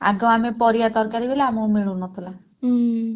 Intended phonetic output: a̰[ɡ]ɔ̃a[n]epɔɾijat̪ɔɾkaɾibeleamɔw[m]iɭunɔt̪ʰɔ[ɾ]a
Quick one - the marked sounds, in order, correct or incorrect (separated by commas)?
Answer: correct, incorrect, correct, incorrect